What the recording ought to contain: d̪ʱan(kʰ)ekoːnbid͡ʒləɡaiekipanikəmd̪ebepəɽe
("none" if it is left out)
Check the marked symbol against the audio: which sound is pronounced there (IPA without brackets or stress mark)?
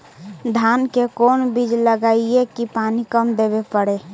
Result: k